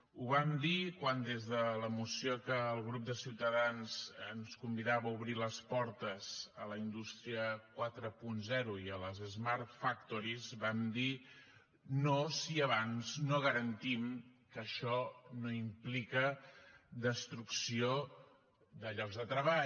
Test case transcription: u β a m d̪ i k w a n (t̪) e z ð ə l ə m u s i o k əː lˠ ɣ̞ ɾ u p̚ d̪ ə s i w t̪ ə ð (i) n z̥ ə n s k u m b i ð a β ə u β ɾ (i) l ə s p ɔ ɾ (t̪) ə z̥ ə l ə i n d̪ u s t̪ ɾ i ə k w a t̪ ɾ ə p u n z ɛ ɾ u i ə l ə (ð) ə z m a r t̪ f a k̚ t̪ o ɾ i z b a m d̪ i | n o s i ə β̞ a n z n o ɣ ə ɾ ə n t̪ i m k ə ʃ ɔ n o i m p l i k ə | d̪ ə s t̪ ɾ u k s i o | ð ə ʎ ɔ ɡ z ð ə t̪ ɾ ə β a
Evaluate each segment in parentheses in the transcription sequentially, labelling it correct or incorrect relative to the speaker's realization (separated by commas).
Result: incorrect, incorrect, correct, correct, incorrect